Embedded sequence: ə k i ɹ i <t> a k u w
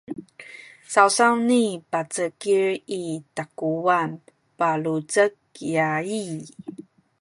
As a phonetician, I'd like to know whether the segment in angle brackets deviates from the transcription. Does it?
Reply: no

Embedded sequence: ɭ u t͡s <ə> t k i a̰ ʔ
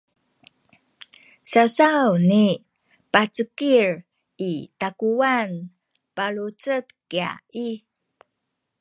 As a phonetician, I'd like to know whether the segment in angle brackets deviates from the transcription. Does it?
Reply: no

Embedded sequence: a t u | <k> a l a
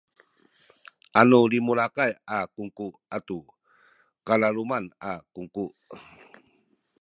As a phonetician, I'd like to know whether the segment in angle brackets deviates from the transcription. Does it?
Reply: no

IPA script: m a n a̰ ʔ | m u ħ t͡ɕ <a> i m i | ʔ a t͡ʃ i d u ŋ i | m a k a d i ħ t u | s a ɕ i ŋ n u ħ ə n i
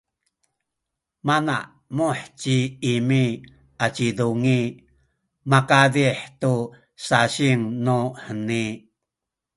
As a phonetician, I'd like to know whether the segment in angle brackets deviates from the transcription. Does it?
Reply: yes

